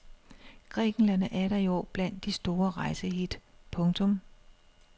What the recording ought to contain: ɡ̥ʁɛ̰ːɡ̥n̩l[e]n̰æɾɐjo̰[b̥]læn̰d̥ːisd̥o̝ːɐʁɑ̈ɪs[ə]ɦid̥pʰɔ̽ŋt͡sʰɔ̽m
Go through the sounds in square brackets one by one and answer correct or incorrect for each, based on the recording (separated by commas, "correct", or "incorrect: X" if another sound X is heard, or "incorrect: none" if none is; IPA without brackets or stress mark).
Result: incorrect: æ, correct, correct